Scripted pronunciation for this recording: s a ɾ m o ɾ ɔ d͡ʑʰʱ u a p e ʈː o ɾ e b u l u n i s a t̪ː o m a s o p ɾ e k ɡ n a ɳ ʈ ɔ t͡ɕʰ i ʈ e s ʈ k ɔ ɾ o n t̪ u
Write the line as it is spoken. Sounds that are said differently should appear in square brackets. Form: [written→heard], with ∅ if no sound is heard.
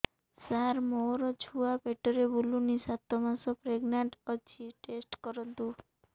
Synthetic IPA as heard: s a ɾ m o ɾ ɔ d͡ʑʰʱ u a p e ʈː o ɾ e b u l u n i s a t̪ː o m a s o p ɾ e [k→∅] ɡ n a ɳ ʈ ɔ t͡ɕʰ i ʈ e s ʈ k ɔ ɾ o n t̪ u